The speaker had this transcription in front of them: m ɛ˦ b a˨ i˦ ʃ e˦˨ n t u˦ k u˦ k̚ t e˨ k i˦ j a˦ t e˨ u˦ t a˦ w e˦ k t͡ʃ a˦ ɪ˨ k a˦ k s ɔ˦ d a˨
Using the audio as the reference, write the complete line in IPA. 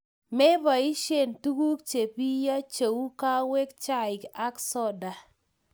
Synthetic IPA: m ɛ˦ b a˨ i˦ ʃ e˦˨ n t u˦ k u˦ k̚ t͡ʃ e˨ p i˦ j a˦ t͡ʃ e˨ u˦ k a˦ w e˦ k t͡ʃ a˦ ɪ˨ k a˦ k s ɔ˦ d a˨